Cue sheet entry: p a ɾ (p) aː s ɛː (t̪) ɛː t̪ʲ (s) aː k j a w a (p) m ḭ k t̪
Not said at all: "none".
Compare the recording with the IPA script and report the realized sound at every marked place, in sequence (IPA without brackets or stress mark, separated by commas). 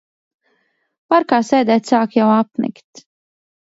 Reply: k, d̪, s, p